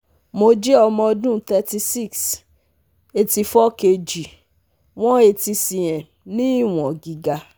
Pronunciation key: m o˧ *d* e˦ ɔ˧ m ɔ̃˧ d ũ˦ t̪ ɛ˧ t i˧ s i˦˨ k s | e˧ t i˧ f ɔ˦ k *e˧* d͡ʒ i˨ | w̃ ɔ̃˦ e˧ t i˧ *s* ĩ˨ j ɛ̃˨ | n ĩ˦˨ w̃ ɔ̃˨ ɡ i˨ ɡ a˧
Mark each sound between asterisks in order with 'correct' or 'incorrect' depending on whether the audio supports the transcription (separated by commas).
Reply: incorrect, correct, correct